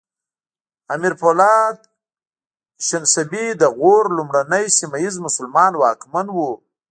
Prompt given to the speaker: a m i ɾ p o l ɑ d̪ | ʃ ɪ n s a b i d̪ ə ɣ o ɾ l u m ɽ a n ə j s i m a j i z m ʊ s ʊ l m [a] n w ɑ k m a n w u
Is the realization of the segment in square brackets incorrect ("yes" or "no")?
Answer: yes